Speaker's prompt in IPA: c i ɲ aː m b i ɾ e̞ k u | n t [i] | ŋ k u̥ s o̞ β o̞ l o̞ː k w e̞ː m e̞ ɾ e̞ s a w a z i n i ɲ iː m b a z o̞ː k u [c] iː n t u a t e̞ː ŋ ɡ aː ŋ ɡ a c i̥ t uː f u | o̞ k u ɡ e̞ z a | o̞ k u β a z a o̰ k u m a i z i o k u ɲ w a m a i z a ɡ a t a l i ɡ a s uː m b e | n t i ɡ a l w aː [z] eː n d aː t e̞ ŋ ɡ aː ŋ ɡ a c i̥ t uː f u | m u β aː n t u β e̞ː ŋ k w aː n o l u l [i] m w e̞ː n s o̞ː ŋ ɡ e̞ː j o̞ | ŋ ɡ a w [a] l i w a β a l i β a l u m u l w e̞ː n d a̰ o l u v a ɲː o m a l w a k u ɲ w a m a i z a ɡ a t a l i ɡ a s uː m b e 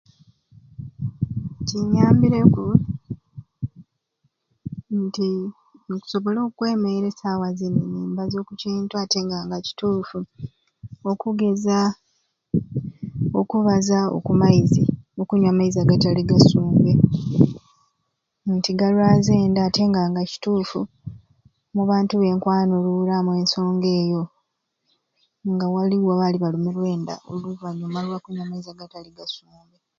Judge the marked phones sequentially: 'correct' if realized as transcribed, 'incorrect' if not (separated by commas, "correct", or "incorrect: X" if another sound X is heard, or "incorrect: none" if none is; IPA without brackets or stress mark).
correct, correct, correct, incorrect: a, correct